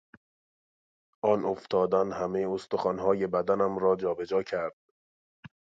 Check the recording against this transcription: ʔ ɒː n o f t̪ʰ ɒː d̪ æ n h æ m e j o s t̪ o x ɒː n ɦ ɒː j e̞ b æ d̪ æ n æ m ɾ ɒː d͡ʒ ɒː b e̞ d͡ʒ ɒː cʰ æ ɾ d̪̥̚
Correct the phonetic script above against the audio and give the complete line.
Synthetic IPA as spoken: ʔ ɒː n o f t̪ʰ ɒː d̪ æ n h æ m e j o s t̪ o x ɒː n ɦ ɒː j e̞ b æ d̪ æ n æ m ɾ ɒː d͡ʒ ɒː b e̞ d͡ʒ ɒː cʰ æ ɾ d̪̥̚